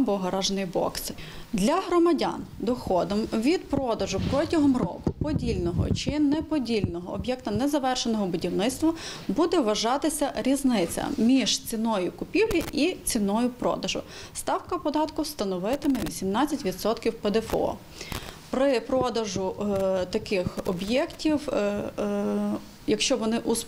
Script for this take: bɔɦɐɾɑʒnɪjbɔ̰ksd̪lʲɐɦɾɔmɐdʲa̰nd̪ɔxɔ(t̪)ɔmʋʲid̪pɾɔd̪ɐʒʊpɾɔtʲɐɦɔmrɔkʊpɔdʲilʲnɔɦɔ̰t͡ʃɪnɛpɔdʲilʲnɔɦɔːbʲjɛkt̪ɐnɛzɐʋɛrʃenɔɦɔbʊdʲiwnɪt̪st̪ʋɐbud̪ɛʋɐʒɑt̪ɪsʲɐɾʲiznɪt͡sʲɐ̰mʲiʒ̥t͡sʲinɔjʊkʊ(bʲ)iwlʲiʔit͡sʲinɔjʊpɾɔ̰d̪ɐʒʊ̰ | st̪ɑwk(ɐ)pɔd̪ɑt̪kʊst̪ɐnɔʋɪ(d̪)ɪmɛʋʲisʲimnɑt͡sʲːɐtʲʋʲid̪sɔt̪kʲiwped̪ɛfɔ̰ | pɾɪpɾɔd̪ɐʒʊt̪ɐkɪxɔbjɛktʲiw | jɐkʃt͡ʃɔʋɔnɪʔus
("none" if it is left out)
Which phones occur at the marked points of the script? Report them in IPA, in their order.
d̪, pʲ, ɐ, t̪

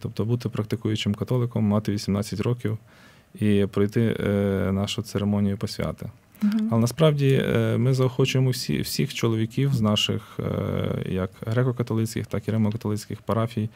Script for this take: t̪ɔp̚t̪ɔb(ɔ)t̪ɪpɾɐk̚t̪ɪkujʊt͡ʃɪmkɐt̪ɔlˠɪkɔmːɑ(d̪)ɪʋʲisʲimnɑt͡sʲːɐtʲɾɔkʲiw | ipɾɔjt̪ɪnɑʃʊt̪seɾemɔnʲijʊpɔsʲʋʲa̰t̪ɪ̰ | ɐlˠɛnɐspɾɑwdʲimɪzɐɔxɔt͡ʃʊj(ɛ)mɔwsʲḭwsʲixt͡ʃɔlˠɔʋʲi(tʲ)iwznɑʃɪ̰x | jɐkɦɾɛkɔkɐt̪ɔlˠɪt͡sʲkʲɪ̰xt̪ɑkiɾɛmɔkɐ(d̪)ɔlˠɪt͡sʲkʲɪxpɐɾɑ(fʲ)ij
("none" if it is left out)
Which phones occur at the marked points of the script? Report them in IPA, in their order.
u, t̪, e, kʲ, t̪, fʲ

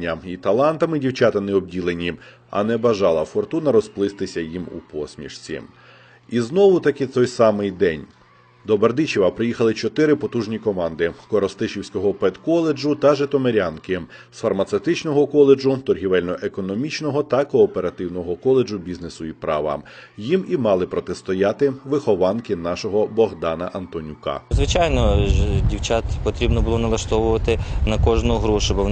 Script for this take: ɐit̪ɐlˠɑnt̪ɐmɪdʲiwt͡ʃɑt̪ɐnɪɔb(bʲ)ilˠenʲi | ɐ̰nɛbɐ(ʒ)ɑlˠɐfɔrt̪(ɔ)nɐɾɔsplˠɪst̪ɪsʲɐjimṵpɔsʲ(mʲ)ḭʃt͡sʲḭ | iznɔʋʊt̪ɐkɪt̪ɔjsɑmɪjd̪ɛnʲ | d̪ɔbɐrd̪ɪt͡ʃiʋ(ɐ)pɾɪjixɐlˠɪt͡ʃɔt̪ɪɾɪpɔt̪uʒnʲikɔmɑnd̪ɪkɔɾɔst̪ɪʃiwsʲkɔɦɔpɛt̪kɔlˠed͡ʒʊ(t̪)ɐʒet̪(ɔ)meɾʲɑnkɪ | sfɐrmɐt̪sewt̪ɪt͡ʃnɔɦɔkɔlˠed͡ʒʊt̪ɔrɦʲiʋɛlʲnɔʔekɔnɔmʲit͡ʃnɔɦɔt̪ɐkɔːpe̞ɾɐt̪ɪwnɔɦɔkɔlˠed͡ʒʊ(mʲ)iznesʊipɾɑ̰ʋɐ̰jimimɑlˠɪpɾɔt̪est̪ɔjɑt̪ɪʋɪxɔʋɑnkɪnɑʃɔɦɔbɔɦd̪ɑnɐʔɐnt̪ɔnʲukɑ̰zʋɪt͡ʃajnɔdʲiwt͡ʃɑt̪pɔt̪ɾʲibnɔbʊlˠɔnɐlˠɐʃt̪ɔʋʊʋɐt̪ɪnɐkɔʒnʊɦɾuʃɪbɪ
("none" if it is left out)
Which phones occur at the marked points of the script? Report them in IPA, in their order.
dʲ, ʒ, u, mʲ, ɐ, t̪, ɔ, bʲ

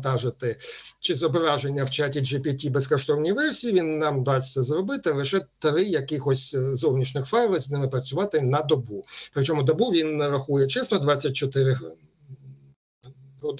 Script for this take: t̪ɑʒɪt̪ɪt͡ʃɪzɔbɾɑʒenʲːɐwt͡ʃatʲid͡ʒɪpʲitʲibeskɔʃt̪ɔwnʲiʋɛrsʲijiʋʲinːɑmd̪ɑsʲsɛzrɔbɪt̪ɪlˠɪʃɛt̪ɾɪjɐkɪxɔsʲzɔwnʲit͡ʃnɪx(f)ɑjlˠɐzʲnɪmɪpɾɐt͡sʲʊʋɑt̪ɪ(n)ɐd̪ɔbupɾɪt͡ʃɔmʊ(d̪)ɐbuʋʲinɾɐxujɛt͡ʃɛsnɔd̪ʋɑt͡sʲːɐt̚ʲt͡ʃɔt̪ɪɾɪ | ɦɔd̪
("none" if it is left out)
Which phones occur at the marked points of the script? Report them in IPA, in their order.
f, n, d̪

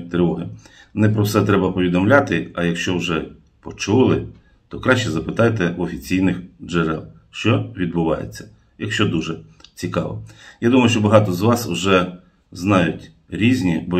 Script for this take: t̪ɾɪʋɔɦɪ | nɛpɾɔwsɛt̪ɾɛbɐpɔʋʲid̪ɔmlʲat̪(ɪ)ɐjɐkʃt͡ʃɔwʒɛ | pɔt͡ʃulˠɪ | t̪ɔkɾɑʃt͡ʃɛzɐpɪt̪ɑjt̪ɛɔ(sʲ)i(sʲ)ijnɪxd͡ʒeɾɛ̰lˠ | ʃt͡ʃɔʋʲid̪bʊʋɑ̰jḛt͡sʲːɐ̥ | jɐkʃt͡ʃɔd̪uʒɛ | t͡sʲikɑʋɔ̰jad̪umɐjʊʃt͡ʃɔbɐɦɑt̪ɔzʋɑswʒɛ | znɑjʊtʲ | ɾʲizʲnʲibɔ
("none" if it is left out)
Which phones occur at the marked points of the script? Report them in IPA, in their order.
ɪ, fʲ, t͡sʲ

